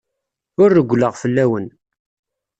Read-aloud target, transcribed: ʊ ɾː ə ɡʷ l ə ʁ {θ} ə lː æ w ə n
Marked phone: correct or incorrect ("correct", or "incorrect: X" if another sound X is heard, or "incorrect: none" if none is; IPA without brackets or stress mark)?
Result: incorrect: f